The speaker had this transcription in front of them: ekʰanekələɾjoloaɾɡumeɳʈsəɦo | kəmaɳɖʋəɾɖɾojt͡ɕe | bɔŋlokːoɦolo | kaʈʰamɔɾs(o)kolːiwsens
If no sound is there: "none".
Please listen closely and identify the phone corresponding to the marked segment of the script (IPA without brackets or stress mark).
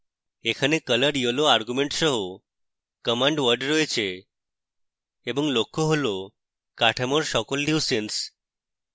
ɔ